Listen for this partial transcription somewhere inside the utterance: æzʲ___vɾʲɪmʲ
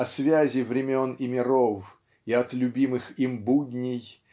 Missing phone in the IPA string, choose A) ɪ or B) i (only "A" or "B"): A